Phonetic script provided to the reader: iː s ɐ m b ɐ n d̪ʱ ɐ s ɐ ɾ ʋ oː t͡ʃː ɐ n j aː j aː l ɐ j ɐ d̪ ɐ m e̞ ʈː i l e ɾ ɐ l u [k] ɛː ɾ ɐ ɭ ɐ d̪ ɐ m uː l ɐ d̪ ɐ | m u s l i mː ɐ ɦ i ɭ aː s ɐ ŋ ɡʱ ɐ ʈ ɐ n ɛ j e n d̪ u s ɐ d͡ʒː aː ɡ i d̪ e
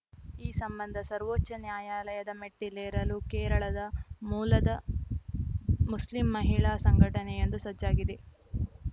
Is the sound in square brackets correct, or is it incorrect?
correct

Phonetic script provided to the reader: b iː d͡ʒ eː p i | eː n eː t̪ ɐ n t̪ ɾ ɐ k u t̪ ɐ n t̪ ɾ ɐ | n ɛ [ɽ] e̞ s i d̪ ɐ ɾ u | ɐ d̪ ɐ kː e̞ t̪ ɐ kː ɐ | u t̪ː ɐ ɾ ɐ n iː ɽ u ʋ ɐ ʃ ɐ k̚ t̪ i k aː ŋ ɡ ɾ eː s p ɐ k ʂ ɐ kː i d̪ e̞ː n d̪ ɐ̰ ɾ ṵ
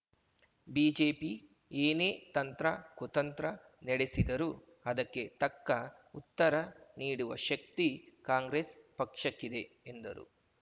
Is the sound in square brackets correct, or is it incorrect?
correct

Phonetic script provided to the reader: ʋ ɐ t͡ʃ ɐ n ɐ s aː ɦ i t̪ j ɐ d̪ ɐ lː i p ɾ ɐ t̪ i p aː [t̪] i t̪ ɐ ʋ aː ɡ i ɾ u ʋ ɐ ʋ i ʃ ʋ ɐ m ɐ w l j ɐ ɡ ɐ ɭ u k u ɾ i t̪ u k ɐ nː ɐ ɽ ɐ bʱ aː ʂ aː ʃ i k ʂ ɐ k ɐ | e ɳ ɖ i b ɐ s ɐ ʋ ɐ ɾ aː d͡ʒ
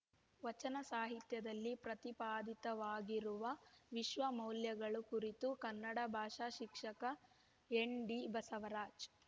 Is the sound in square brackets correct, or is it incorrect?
incorrect: d̪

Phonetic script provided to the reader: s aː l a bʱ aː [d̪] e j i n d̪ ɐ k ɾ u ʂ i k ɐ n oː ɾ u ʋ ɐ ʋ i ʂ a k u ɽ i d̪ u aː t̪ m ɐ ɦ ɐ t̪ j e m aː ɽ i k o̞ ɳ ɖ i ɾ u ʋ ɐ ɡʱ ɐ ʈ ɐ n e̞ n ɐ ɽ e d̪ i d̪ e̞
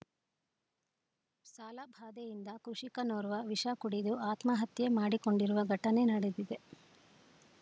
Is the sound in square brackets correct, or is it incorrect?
correct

